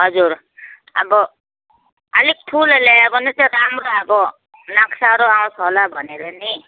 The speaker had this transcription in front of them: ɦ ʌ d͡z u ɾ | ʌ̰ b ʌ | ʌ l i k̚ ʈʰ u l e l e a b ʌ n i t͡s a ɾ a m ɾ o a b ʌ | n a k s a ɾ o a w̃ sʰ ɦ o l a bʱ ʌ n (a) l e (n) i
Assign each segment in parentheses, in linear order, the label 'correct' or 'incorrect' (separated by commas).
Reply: incorrect, correct